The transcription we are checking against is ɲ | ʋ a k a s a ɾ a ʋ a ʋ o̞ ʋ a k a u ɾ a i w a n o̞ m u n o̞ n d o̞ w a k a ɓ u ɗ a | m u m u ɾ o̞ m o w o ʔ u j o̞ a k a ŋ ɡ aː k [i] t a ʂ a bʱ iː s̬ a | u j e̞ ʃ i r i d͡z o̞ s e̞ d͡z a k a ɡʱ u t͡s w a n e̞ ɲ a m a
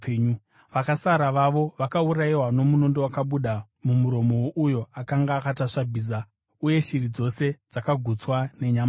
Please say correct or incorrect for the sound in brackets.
incorrect